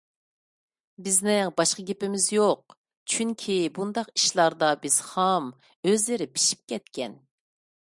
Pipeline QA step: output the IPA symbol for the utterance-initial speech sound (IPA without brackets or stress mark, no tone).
b